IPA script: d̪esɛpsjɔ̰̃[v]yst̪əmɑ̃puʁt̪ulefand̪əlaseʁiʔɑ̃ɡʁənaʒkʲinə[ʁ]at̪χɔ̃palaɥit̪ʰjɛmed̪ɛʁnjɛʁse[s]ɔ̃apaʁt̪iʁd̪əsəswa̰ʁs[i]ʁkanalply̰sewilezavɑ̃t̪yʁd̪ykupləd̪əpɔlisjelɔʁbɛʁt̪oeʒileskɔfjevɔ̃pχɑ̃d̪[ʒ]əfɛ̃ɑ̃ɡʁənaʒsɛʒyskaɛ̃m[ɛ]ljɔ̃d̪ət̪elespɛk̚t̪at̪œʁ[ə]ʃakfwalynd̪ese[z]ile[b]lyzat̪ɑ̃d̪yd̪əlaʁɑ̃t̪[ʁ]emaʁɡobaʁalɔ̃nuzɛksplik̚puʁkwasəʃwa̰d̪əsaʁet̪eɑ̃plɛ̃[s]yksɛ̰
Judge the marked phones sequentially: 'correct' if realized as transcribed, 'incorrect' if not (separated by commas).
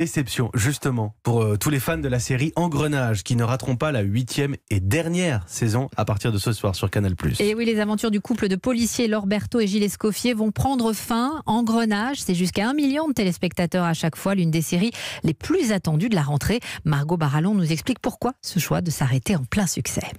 incorrect, correct, incorrect, incorrect, incorrect, incorrect, incorrect, incorrect, incorrect, incorrect, correct